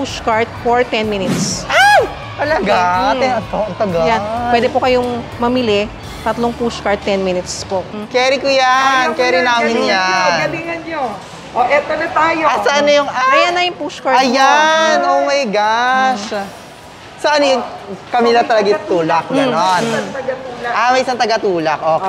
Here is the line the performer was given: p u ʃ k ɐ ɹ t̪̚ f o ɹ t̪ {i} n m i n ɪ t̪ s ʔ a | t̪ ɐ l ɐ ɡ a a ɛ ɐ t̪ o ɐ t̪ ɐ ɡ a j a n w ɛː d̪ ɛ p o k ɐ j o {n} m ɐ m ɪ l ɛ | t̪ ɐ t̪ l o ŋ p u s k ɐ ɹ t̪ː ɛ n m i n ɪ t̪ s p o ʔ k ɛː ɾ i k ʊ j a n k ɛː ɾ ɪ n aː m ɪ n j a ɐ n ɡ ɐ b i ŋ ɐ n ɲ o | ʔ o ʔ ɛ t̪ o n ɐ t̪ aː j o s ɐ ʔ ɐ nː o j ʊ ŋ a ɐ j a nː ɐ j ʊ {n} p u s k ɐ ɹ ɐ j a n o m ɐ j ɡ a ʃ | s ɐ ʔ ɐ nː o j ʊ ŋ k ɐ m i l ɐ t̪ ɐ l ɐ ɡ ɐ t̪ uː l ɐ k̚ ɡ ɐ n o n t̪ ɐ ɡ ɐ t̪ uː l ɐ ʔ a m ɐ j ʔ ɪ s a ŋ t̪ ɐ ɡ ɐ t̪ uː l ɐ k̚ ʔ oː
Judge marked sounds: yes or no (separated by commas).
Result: no, no, no